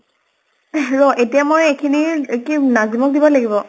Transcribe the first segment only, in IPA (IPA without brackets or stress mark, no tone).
ɹ